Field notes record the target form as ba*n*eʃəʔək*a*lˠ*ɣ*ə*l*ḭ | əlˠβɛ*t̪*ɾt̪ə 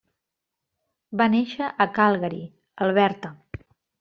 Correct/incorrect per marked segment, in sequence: correct, correct, correct, incorrect: ɾ, incorrect: none

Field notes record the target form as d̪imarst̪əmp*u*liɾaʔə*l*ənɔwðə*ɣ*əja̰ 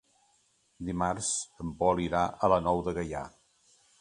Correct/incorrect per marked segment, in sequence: incorrect: ɔ, correct, correct

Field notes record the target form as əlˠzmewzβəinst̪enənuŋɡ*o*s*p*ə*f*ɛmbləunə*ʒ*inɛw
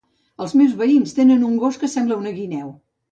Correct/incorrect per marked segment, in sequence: correct, incorrect: k, incorrect: s, incorrect: ɣ

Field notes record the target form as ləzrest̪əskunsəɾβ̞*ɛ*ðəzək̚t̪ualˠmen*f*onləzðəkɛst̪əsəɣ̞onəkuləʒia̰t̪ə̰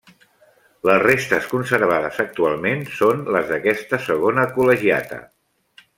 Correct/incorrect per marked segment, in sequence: incorrect: a, incorrect: s

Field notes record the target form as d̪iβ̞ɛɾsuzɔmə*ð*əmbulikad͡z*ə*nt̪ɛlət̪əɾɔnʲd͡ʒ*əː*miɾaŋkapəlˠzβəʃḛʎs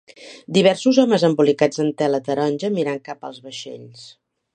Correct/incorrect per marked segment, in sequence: incorrect: z, correct, incorrect: ə

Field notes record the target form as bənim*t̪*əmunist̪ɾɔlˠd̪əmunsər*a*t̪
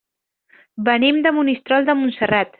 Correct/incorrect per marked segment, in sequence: incorrect: d̪, correct

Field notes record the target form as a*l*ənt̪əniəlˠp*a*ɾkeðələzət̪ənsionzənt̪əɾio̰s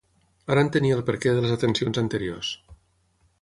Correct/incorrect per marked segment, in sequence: incorrect: ɾ, incorrect: ə

